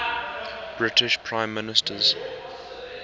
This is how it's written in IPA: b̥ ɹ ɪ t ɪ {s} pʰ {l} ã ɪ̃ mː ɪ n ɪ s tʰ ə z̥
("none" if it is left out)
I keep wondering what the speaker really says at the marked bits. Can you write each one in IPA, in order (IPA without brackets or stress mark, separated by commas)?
ʃ, ɹ